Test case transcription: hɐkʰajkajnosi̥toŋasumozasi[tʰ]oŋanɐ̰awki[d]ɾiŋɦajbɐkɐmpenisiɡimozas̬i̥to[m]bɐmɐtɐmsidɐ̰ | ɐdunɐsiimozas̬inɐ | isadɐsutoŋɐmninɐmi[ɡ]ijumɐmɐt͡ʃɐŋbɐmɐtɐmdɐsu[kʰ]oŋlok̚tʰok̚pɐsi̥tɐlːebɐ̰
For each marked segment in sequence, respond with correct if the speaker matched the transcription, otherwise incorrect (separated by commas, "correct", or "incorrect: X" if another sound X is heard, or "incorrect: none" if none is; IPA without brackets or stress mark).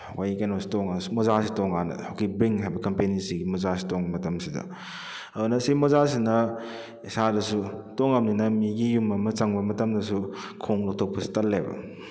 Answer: incorrect: t, incorrect: b, incorrect: ŋ, correct, correct